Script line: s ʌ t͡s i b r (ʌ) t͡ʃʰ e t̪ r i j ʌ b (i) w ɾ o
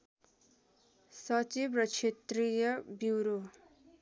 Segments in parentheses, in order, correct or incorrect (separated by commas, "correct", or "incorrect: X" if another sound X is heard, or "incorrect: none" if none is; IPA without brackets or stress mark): correct, correct